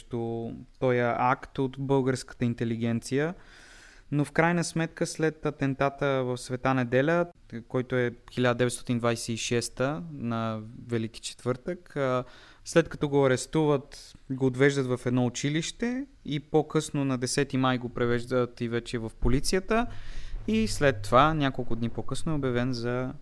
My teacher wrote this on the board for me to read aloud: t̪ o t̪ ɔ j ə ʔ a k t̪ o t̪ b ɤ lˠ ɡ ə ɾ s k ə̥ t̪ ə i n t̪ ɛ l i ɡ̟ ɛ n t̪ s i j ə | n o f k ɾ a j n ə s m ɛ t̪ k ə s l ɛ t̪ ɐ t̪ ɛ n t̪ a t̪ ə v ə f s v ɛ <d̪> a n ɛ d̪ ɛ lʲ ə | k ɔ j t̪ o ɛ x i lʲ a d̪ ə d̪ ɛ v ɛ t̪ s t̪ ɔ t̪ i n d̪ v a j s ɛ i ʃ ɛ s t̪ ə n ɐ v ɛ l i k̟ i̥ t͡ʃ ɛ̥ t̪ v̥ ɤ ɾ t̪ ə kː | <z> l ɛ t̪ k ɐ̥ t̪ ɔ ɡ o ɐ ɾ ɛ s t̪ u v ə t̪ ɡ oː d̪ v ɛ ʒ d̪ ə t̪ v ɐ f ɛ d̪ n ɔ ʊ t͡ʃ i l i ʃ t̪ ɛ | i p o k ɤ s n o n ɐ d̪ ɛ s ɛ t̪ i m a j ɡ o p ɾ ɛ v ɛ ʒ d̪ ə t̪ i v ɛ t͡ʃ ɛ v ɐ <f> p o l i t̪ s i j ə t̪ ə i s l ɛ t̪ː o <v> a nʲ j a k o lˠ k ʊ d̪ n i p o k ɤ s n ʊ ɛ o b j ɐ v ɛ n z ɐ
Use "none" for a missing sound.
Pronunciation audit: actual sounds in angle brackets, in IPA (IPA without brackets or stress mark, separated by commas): t̪, s, f, v